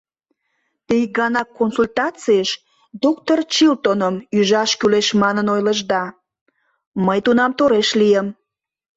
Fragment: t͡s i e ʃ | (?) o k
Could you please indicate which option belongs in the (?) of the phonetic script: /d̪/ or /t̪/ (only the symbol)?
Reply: d̪